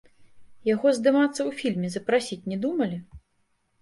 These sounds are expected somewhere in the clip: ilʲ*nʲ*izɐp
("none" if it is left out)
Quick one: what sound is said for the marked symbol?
mʲ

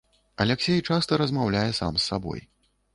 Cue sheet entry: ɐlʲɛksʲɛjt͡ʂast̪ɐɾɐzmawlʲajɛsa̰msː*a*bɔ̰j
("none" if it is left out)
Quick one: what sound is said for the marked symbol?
a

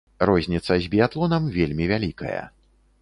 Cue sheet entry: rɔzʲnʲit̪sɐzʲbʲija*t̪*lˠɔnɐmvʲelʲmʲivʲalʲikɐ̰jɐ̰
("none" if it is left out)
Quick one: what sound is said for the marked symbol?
t̪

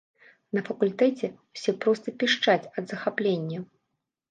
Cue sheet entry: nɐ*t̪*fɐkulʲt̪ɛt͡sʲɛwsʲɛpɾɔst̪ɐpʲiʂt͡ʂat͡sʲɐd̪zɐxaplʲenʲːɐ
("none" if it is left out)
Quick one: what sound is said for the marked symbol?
none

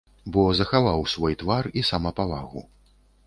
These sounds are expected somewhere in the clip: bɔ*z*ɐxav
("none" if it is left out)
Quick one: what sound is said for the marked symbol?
z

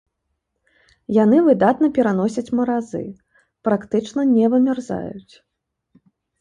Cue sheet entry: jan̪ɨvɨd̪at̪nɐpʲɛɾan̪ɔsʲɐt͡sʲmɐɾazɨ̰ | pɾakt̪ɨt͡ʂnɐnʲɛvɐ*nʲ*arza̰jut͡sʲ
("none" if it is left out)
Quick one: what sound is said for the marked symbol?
mʲ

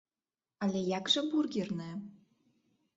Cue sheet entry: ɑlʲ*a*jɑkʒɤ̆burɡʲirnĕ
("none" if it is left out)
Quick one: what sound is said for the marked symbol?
e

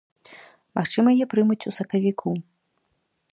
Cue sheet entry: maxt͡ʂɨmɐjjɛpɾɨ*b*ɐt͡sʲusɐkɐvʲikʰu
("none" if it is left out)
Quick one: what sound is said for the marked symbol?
m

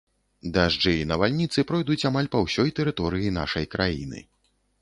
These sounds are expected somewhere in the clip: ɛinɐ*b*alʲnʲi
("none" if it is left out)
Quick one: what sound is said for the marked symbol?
v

